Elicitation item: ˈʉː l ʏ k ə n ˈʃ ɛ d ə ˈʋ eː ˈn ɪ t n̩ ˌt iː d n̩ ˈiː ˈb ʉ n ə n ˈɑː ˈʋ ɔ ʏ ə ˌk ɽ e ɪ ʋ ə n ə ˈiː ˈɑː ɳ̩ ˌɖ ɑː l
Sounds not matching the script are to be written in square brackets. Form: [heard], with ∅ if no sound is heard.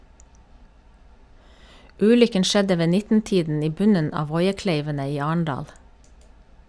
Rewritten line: ˈʉː l ʏ k ə n ˈʃ ɛ d ə ˈʋ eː ˈn ɪ t n̩ ˌt iː d n̩ ˈiː ˈb ʉ n ə n ˈɑː ˈʋ ɔ ʏ ə ˌk [l] e ɪ ʋ ə n ə ˈiː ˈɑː ɳ̩ ˌɖ ɑː l